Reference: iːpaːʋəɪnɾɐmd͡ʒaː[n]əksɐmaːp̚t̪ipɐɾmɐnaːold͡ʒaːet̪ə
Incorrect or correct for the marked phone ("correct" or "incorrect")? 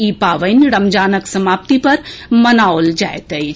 correct